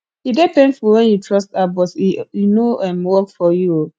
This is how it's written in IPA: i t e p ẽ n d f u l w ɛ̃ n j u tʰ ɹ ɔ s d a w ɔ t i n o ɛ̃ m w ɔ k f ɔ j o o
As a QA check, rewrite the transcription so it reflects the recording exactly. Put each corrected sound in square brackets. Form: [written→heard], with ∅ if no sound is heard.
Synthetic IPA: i [t→d] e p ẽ n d f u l w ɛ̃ n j u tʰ ɹ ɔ s [d→t] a [w→b] ɔ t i n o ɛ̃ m w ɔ k f ɔ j [o→u] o